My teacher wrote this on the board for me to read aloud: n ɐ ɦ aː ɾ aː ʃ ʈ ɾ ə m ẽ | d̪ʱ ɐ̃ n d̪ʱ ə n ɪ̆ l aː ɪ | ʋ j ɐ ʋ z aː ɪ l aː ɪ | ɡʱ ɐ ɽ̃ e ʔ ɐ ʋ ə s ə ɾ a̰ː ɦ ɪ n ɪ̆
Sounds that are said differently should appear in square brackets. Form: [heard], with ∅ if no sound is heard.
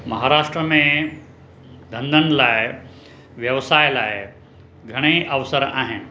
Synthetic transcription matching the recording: [m] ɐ ɦ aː ɾ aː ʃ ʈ ɾ ə m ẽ | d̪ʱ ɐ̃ n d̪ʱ ə n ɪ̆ l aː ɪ | ʋ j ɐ ʋ [s] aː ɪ l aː ɪ | ɡʱ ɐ ɽ̃ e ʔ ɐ ʋ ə s ə ɾ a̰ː ɦ ɪ n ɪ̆